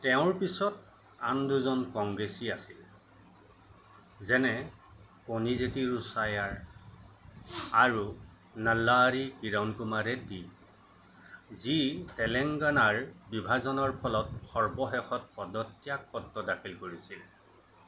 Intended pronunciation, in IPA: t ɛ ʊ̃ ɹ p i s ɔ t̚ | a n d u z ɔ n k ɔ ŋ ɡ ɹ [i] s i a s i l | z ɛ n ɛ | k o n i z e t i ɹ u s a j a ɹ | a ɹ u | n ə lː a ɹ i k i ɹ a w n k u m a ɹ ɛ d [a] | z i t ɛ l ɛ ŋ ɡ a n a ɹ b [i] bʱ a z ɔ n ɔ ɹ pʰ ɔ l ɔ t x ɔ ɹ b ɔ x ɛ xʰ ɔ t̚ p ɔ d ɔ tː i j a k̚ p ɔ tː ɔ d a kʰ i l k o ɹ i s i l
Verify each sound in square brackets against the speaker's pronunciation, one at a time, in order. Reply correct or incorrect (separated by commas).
incorrect, incorrect, correct